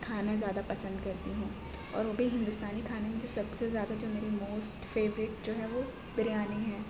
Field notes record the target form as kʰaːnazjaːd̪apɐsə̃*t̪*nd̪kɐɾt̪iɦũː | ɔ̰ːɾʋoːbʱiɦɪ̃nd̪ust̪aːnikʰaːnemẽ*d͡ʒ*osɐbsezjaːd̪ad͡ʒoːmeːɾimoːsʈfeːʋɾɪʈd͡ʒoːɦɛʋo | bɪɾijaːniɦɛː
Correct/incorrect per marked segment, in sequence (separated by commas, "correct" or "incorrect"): incorrect, correct